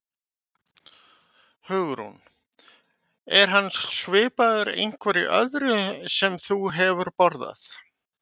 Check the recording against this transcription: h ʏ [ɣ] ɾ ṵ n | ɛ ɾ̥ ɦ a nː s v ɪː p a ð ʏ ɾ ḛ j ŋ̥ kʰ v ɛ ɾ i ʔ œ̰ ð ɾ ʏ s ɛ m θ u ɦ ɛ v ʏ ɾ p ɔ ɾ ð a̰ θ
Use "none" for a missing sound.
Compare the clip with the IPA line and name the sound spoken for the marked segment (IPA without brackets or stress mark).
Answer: ɣ